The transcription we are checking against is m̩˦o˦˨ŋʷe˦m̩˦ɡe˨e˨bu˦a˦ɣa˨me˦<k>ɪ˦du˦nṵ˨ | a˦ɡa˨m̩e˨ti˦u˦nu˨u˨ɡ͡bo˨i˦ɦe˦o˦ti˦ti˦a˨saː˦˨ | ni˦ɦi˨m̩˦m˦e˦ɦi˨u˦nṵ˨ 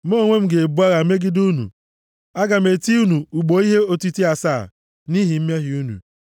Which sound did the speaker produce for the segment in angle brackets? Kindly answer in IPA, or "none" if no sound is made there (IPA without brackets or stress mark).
ɡ